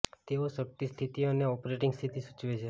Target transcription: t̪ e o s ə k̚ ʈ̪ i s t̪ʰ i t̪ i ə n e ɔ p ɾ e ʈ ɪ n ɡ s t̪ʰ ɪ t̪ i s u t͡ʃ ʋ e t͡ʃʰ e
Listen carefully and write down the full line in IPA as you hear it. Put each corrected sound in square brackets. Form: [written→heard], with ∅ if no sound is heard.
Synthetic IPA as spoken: t̪ e o s ə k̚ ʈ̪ i s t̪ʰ i t̪ i ə n e ɔ p ɾ e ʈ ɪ [n→ŋ] ɡ s t̪ʰ [ɪ→i] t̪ i s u t͡ʃ ʋ e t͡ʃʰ e